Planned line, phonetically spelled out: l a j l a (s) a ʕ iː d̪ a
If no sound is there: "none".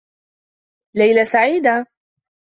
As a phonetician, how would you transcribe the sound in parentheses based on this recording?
s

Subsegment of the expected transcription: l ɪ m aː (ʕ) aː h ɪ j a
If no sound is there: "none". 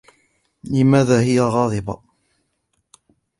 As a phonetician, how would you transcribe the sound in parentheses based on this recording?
ð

